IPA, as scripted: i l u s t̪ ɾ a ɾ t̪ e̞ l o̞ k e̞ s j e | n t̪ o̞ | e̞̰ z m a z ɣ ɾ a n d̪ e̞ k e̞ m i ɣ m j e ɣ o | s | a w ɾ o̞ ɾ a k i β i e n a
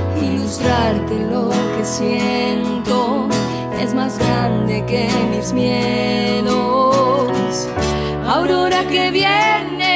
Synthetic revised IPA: i l u s t̪ ɾ a ɾ t̪ e̞ l o̞ k e̞ s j e | n t̪ o̞ | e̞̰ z m a z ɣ ɾ a n d̪ e̞ k e̞ m i z m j e ð o | s | a w ɾ o̞ ɾ a k e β j e n e